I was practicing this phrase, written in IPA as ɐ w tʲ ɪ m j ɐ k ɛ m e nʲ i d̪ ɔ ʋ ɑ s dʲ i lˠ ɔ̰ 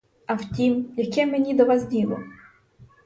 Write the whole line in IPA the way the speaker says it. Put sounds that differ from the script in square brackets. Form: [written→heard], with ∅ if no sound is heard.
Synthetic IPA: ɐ w tʲ [ɪ→i] m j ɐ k ɛ m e nʲ i d̪ ɔ ʋ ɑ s dʲ i lˠ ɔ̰